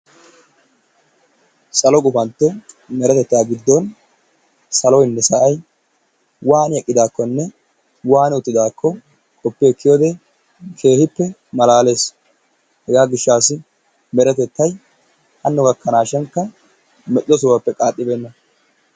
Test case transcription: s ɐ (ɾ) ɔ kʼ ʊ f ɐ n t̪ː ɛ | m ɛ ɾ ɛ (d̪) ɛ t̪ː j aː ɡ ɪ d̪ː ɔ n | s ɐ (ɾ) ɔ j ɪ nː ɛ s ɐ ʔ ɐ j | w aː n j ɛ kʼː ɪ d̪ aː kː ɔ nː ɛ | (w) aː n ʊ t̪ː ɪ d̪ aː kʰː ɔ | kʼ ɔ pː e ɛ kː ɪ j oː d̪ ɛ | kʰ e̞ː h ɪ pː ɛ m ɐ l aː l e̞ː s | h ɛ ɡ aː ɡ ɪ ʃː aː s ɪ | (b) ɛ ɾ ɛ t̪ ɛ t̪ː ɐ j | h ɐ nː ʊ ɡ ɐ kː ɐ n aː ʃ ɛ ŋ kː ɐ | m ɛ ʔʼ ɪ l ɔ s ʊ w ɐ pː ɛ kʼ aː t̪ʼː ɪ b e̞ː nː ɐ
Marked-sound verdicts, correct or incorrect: incorrect: l, incorrect: t̪, incorrect: l, correct, incorrect: m

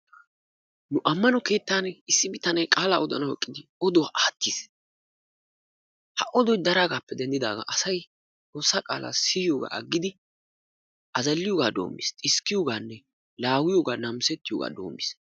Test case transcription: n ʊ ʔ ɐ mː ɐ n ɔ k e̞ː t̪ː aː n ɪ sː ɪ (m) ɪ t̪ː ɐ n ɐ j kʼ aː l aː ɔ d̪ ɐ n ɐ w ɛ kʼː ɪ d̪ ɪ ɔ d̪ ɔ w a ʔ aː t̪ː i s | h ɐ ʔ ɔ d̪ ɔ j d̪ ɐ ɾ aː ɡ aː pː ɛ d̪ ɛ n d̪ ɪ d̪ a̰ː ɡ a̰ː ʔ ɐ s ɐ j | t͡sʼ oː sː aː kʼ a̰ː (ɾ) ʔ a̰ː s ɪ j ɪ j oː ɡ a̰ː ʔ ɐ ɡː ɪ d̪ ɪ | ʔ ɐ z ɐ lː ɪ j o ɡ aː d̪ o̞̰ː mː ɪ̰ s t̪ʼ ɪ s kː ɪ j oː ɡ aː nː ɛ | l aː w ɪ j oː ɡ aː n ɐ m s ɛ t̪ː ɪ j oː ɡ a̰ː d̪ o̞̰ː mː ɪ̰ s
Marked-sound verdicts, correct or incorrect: incorrect: b, incorrect: l

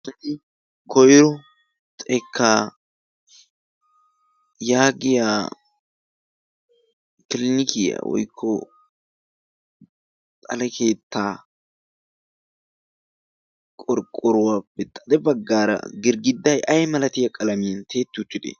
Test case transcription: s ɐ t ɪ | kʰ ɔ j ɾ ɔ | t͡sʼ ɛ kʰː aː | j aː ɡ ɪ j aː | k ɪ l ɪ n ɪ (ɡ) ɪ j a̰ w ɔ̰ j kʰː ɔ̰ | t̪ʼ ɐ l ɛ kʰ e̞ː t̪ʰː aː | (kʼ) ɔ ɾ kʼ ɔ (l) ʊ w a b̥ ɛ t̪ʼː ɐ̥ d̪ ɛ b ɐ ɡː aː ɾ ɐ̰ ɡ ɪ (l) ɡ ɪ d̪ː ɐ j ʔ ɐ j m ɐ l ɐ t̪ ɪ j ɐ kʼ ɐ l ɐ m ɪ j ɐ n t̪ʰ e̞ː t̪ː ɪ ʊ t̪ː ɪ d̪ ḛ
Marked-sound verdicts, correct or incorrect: incorrect: k, correct, incorrect: ɾ, incorrect: ɾ

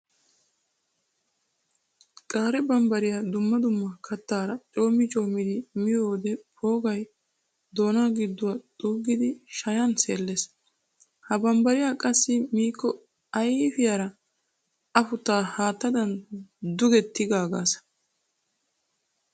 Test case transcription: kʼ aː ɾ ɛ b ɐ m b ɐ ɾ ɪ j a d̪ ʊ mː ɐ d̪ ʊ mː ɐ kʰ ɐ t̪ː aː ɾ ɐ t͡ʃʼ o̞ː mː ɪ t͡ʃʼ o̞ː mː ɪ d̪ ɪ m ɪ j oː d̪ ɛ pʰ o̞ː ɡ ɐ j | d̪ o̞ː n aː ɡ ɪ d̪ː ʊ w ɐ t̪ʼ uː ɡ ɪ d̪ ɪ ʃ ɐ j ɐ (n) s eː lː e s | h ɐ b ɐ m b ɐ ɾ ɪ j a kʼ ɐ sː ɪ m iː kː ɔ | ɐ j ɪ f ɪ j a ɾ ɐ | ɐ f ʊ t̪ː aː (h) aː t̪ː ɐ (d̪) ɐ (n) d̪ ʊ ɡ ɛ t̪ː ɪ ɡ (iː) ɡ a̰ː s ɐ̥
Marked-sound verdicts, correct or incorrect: correct, correct, correct, correct, incorrect: aː

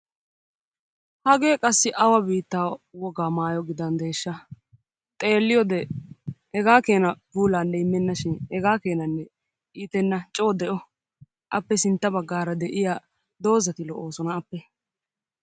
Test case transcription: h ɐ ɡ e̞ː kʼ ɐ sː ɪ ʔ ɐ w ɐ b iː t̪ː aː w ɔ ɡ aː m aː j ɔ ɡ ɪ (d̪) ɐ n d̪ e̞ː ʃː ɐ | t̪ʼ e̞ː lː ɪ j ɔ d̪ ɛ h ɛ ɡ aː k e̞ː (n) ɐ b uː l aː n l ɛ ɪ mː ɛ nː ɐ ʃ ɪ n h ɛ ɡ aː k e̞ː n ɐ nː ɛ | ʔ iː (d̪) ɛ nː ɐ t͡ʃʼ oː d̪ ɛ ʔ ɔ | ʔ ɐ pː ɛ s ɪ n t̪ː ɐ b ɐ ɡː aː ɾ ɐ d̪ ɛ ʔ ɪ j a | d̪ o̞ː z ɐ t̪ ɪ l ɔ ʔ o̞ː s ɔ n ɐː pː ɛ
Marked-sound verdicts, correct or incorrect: correct, correct, incorrect: t̪

